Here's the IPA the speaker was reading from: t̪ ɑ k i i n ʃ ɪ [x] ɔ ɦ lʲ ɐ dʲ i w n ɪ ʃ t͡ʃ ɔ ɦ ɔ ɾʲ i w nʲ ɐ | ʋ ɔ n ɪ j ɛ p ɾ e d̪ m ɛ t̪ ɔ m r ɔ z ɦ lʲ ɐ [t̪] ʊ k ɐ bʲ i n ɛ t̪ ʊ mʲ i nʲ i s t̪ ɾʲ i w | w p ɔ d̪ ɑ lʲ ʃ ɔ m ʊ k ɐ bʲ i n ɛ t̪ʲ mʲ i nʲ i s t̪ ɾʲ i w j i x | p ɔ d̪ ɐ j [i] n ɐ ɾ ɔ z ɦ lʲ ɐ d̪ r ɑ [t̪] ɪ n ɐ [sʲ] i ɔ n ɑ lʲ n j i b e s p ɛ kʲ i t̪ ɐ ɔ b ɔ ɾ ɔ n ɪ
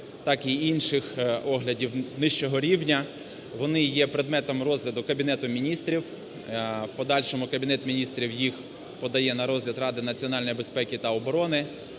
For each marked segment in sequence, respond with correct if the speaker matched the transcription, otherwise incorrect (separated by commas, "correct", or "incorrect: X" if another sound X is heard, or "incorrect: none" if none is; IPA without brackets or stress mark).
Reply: correct, incorrect: d̪, incorrect: ɛ, incorrect: d̪, incorrect: t͡sʲ